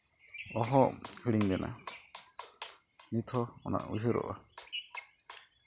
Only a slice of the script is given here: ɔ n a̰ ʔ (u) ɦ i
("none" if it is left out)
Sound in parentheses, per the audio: u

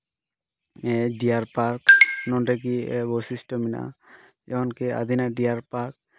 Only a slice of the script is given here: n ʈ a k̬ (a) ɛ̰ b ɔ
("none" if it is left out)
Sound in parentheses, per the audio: i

